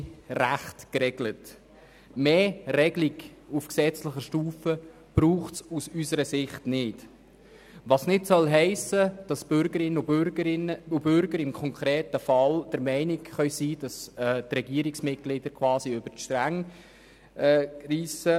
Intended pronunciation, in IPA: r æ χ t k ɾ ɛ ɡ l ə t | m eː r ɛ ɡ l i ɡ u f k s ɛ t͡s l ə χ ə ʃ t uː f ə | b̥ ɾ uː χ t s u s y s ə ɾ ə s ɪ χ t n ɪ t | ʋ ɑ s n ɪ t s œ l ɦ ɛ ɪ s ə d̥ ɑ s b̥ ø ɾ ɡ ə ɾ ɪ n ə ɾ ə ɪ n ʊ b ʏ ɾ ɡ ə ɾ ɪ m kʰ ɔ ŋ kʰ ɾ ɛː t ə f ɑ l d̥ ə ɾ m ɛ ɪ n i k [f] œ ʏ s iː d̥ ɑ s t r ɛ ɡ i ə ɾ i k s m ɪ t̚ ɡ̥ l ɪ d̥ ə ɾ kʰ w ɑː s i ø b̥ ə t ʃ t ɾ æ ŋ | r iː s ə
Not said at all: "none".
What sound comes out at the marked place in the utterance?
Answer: χ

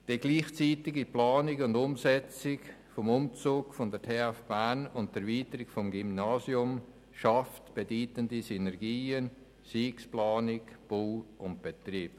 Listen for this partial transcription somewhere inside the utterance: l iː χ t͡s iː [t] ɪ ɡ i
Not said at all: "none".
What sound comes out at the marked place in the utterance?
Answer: t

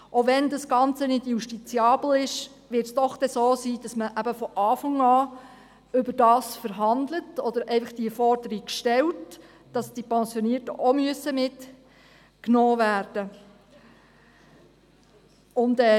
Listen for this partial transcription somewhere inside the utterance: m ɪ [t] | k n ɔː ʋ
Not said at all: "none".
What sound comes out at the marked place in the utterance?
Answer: t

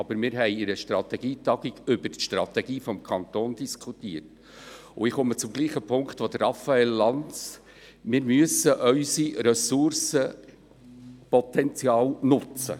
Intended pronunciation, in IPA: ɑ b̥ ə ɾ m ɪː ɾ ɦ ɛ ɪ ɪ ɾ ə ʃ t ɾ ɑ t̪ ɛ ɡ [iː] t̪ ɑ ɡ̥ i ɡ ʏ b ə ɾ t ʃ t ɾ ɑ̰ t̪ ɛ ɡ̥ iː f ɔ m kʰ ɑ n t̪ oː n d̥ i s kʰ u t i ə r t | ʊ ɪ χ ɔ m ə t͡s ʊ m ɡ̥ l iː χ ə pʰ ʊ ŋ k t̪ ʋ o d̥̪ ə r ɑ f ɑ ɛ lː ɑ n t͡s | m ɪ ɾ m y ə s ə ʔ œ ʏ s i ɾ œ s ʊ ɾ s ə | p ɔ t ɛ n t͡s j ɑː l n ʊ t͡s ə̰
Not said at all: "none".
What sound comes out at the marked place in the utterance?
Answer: iː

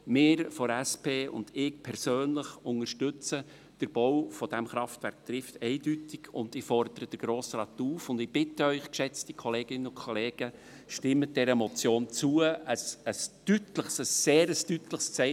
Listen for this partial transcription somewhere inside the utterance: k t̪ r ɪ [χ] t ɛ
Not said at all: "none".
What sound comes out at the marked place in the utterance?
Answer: f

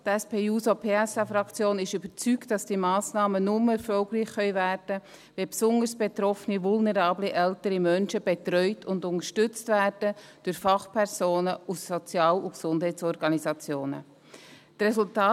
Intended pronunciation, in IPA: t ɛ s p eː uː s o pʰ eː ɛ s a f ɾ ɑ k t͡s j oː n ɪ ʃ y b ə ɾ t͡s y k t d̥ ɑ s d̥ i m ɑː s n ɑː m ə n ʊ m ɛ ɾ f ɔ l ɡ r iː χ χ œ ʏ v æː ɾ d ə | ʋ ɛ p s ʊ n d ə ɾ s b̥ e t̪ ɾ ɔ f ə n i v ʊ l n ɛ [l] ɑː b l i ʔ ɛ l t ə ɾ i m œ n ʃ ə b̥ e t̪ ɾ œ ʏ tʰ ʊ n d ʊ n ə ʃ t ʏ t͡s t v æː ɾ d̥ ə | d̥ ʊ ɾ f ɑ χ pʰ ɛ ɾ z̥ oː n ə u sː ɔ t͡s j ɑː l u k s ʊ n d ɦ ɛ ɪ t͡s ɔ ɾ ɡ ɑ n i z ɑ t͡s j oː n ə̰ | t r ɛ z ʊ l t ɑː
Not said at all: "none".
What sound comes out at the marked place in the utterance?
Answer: ɾ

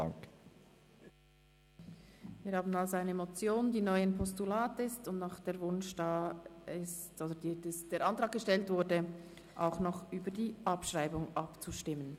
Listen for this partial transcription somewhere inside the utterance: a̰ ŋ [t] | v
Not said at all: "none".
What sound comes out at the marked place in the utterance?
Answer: k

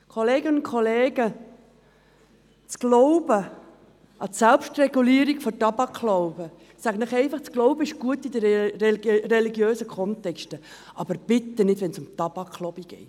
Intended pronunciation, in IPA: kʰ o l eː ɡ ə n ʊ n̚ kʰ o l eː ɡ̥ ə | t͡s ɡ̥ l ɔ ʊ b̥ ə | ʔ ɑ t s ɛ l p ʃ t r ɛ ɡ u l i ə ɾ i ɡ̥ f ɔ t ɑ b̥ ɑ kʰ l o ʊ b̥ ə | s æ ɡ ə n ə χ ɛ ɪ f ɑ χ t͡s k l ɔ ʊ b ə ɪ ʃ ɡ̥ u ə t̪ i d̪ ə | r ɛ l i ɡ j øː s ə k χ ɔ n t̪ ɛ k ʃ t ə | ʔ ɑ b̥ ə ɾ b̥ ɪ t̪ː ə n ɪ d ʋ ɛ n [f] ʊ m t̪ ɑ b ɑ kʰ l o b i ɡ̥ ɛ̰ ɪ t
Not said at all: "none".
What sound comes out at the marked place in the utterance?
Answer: s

